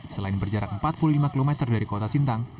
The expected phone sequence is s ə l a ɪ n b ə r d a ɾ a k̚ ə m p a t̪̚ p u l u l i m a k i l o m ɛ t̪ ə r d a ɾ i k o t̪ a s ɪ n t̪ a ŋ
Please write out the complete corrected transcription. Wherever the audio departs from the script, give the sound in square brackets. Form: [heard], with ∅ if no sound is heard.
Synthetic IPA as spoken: s ə l a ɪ n b ə r [d͡ʒ] a ɾ a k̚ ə m p a t̪̚ p u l u l i m a k i l o m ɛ t̪ ə r d a ɾ i k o t̪ a s [i] n t̪ a ŋ